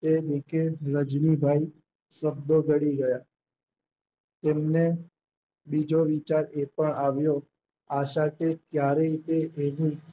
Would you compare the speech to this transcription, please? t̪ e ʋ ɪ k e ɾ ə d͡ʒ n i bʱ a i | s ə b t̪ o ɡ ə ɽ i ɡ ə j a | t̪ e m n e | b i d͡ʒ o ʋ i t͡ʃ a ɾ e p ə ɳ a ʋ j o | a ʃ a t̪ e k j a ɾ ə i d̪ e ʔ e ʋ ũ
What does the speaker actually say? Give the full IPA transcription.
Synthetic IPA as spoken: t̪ e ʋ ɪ k e ɾ ə d͡ʒ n i bʱ a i | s ə b d̪ o ɡ ə ɽ i ɡ ə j a | t̪ e m n e | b i d͡ʒ o ʋ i t͡ʃ a ɾ e p ə ɳ a ʋ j o | a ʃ a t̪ e k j a ɾ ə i t̪ e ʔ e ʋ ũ